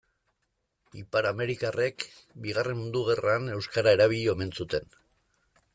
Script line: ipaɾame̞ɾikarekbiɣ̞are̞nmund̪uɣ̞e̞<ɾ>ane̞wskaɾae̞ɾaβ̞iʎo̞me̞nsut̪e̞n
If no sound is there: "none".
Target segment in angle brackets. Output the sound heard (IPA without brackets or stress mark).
r